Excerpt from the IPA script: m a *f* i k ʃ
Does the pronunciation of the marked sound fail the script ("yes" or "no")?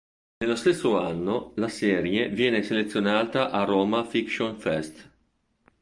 no